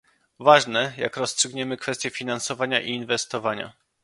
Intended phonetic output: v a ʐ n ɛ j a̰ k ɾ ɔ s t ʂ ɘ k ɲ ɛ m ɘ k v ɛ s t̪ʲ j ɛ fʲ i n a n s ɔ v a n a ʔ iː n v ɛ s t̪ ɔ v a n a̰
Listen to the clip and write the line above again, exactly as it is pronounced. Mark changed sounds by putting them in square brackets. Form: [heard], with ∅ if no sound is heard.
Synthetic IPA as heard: v a ʐ n ɛ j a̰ k ɾ ɔ s t ʂ ɘ [ɡ] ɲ ɛ m ɘ k [f] ɛ s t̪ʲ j ɛ fʲ i n a n s ɔ v a [ɲ] a ʔ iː n v ɛ s t̪ ɔ v a [ɲ] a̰